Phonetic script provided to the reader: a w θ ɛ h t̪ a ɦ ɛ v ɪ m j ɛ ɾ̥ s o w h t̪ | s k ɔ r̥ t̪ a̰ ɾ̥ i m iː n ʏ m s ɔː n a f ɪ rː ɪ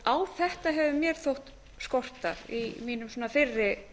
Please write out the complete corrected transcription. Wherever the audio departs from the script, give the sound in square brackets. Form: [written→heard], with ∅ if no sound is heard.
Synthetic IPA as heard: a w θ ɛ h t̪ a ɦ ɛ v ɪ m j ɛ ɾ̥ [s→θ] o w h t̪ | s k ɔ r̥ t̪ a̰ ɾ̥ i m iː n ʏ m s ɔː n a f ɪ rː ɪ